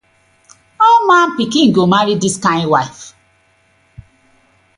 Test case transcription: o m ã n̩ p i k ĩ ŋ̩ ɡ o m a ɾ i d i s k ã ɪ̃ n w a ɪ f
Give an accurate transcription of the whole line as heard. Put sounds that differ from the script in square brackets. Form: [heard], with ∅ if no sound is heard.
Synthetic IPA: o m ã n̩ p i k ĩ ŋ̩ ɡ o m a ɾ i d i s k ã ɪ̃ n w a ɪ f